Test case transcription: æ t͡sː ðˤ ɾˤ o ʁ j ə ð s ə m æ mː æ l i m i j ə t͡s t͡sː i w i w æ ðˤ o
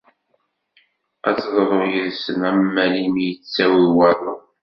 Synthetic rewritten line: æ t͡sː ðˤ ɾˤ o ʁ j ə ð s ə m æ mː æ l i m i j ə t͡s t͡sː æ w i w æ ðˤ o